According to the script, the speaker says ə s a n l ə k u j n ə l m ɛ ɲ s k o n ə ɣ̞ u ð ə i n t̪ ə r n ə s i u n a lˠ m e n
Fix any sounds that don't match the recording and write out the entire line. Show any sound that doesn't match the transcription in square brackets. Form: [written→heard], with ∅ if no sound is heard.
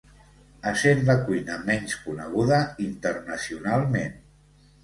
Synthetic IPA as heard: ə s [a→e] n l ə k u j n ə [l→∅] m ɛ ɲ s k [o→u] n ə ɣ̞ u ð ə i n t̪ ə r n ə s i u n a lˠ m e n